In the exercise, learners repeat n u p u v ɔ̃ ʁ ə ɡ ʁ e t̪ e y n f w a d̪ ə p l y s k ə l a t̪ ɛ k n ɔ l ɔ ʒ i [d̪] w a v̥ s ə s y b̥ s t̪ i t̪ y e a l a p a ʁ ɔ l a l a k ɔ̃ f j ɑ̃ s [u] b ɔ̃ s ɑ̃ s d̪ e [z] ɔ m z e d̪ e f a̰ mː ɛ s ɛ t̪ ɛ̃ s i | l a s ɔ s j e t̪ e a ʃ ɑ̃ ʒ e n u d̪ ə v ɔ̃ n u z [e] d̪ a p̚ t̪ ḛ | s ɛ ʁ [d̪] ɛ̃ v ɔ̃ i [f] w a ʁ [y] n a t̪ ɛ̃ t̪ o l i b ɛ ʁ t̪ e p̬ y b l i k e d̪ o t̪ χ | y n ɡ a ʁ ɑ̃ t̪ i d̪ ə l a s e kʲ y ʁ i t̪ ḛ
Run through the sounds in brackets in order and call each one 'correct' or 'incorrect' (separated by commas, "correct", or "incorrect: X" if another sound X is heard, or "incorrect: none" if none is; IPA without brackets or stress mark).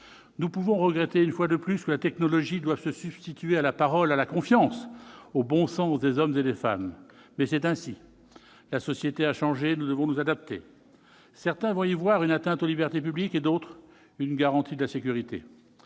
correct, incorrect: o, correct, incorrect: a, incorrect: t̪, incorrect: v, correct